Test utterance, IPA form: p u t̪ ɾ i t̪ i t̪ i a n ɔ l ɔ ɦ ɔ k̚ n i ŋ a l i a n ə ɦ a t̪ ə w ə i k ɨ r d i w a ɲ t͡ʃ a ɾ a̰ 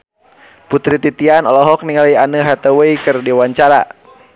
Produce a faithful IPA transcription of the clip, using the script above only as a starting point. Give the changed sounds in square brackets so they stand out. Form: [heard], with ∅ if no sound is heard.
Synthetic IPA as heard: p u t̪ ɾ i t̪ i t̪ i a n ɔ l ɔ ɦ ɔ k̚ n i ŋ a l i a n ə ɦ a t̪ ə w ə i k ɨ r d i w a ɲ t͡ʃ a ɾ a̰